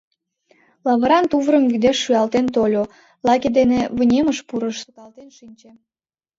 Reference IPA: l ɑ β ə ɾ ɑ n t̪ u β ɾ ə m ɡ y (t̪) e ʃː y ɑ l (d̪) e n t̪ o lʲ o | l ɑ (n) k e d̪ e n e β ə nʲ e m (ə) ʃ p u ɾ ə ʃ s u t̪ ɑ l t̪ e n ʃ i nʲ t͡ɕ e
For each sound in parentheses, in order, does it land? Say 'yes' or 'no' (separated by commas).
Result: no, no, no, yes